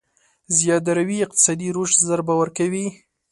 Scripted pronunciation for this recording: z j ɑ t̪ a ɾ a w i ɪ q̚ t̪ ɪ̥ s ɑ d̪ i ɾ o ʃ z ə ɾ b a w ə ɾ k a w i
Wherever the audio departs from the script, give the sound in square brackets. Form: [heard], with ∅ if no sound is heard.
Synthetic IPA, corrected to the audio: z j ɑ [d̪] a ɾ a w i ɪ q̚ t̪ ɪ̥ s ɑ d̪ i ɾ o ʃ z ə ɾ b a w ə ɾ k a w i